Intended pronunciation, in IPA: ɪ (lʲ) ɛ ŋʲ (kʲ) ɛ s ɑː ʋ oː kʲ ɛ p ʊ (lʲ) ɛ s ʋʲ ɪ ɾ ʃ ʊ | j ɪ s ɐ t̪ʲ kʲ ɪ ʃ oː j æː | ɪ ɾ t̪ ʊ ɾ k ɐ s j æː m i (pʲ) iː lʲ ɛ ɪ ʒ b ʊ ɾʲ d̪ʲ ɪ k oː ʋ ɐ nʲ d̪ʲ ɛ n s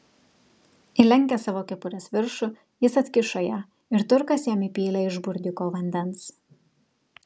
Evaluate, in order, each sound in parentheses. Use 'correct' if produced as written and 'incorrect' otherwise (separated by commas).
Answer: correct, correct, incorrect, correct